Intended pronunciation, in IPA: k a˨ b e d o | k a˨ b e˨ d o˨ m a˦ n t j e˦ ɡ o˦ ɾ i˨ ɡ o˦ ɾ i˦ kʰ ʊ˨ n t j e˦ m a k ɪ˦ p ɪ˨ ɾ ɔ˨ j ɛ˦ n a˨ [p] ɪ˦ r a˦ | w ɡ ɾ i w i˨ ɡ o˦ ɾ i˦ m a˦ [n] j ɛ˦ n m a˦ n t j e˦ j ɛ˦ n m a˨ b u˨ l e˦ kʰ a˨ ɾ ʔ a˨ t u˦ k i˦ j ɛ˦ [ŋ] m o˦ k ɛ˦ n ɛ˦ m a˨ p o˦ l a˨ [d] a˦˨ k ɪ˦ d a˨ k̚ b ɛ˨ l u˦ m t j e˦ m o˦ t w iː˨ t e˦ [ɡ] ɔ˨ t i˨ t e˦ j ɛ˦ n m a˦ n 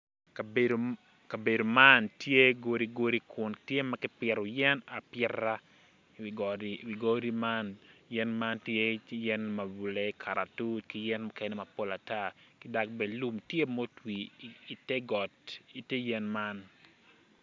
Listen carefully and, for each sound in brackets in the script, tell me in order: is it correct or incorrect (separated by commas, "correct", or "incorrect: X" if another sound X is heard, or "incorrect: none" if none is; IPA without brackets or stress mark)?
correct, correct, incorrect: n, incorrect: t, correct